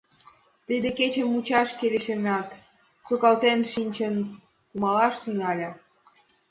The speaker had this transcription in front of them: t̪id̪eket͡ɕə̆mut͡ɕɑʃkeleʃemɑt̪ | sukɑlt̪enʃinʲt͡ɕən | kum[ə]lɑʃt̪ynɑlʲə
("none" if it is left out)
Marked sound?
ɑ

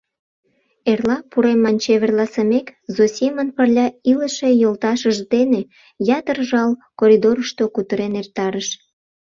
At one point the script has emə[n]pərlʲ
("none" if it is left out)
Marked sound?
n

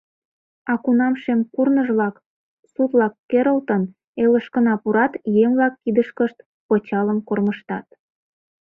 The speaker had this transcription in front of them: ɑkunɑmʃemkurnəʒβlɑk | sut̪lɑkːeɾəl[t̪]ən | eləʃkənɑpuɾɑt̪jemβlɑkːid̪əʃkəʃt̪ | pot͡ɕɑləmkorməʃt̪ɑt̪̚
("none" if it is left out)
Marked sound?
t̪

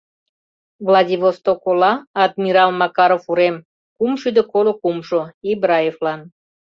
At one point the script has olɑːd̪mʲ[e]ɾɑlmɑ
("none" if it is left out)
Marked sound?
i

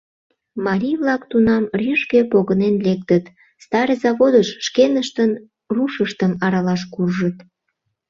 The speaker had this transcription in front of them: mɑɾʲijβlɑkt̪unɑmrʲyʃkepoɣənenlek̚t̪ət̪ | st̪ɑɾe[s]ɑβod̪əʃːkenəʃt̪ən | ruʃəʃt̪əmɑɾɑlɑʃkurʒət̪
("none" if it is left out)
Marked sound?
z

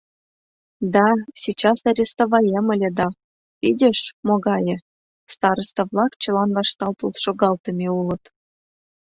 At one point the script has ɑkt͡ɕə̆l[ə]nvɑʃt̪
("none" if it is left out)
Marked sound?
ɑ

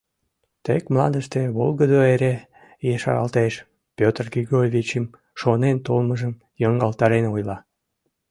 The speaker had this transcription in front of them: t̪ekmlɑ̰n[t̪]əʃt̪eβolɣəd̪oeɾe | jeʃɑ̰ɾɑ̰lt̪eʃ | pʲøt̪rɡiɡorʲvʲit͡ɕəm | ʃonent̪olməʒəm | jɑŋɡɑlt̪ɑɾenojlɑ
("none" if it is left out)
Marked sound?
d̪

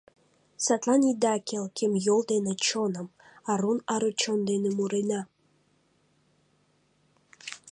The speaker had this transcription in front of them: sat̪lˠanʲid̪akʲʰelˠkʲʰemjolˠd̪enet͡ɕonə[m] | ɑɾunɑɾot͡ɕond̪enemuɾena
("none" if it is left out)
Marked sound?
m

